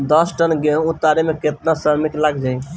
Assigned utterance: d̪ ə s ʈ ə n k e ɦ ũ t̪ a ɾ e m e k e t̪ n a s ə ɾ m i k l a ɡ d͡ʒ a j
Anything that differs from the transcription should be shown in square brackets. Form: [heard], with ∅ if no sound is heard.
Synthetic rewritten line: d̪ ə s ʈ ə n [ɡ] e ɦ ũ t̪ a ɾ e m e k e t̪ n a s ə ɾ m i k l a ɡ d͡ʒ a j